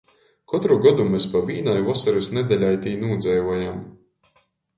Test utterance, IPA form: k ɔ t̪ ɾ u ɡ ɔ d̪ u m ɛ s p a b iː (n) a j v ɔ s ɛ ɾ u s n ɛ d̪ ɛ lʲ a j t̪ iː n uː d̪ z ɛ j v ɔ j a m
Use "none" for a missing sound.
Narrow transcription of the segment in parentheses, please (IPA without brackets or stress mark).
n